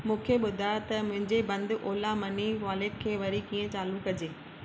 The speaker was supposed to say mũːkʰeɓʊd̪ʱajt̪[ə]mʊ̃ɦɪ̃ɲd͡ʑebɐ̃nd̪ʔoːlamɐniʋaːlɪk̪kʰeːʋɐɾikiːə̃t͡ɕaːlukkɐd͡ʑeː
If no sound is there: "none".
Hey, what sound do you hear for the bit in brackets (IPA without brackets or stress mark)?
ɐ